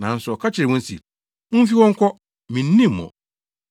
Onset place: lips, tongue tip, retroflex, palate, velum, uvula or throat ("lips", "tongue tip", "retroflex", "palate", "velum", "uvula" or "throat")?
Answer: tongue tip